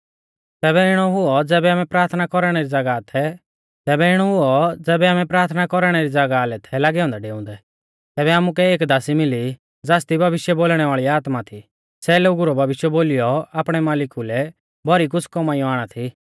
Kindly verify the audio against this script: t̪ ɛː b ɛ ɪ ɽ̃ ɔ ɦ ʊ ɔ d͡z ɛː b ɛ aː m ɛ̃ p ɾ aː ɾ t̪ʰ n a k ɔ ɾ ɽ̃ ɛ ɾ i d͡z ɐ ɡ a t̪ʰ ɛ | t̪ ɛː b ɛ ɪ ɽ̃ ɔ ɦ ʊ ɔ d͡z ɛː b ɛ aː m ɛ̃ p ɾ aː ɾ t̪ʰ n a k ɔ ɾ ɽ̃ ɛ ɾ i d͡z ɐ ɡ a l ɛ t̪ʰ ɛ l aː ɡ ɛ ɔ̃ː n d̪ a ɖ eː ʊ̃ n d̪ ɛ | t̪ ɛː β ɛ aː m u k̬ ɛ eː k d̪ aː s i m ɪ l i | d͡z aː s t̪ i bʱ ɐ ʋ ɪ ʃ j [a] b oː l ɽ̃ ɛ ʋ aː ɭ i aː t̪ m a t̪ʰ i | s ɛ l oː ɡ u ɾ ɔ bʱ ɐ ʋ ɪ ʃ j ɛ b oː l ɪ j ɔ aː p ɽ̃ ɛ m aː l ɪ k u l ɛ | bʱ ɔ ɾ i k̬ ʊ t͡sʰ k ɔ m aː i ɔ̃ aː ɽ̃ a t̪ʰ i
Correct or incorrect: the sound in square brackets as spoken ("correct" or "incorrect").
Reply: incorrect